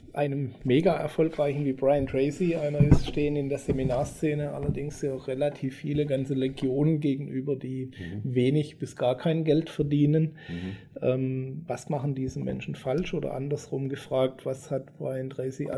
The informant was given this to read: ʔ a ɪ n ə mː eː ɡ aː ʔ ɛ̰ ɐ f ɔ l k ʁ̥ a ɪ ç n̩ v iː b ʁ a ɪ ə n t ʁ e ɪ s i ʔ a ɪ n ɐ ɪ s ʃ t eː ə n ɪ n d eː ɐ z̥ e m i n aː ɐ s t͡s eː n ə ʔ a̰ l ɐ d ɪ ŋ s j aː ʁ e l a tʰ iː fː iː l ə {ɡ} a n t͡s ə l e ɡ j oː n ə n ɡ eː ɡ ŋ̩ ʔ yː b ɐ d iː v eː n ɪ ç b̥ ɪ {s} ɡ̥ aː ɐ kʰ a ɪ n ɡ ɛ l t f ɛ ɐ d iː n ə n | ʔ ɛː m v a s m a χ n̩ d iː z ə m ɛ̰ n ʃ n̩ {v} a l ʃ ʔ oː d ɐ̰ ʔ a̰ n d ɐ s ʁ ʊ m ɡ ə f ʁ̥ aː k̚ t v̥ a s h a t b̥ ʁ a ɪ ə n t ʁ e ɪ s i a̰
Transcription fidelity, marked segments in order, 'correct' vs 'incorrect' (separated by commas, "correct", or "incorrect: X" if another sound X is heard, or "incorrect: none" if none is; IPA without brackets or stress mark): correct, correct, incorrect: f